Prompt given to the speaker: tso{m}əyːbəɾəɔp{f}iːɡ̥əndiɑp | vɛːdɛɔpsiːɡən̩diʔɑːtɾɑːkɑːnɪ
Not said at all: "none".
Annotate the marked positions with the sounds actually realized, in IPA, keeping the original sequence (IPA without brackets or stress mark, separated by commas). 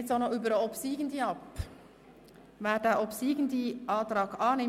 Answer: n, s